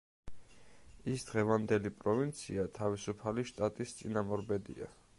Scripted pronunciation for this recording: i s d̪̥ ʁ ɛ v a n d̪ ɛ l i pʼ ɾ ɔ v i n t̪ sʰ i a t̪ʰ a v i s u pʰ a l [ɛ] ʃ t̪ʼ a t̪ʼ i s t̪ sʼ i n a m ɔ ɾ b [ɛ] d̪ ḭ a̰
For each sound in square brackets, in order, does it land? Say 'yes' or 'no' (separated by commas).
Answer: no, yes